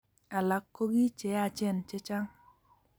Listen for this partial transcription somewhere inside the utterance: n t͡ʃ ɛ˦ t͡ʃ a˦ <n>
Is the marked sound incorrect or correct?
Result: incorrect